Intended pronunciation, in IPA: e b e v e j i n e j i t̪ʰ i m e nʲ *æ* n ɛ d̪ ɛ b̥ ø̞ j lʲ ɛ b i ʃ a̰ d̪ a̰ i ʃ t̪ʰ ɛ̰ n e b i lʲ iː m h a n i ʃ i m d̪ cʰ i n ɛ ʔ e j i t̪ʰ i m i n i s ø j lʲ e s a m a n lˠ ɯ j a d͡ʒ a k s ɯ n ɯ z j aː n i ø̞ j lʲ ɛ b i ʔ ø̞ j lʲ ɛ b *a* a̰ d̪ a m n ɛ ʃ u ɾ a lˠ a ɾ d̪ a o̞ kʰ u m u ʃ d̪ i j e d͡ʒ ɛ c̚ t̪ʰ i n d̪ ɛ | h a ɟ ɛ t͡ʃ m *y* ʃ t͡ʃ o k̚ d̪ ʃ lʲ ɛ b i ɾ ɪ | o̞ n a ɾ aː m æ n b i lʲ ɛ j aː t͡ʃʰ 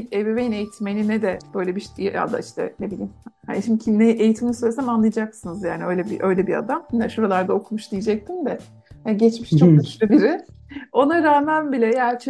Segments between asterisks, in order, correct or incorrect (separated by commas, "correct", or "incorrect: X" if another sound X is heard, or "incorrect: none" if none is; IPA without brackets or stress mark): incorrect: i, incorrect: i, incorrect: i